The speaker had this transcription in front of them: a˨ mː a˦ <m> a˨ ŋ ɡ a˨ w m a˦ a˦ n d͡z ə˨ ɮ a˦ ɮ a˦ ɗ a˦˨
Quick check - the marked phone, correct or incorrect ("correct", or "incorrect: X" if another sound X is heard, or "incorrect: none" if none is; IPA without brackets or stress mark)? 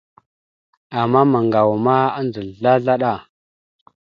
correct